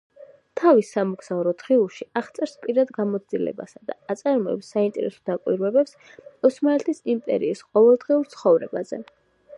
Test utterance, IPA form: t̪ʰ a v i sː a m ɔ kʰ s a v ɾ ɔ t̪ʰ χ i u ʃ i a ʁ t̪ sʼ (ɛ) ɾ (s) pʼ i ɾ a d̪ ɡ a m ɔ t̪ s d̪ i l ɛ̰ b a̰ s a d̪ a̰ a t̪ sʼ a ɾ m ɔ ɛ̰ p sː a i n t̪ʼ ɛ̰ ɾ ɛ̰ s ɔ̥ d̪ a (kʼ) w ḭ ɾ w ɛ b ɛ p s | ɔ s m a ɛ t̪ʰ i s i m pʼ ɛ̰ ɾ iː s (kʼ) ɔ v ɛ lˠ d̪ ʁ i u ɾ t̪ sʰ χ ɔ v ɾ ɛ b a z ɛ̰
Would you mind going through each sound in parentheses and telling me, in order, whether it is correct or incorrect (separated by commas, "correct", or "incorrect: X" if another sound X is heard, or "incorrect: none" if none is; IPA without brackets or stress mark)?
correct, correct, correct, incorrect: qʼ